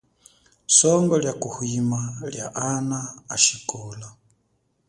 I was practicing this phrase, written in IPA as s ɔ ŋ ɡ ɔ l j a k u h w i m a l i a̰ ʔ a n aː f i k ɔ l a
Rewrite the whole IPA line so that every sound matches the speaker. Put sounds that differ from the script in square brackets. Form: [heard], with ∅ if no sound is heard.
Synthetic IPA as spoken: s ɔ ŋ ɡ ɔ l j a k u h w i m a l [j] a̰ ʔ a n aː [ʃ] i k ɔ l a